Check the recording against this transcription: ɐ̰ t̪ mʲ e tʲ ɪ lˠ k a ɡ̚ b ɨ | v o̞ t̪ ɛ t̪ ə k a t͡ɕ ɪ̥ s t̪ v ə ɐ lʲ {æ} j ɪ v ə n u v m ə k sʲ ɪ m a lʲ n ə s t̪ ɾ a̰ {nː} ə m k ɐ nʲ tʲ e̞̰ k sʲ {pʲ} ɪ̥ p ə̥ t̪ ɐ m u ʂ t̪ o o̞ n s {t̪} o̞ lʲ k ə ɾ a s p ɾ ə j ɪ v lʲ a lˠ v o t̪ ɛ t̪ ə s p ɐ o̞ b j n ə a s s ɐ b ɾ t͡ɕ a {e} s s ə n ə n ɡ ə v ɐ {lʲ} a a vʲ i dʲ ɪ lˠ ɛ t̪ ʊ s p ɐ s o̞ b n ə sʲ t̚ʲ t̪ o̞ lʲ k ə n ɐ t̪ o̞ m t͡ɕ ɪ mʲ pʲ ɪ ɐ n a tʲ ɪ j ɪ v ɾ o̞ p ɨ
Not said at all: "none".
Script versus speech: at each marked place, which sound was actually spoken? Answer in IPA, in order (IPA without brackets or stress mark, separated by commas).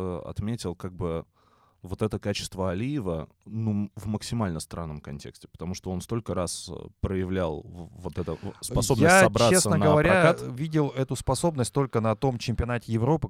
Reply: i, nː, tʲ, t̪, e, ɾʲ